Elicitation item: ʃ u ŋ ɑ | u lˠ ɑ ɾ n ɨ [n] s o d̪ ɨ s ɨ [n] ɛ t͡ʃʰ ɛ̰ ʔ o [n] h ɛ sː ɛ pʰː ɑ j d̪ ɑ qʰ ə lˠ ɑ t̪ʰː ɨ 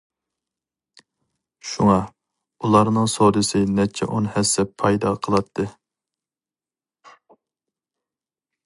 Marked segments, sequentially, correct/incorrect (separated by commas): incorrect, correct, correct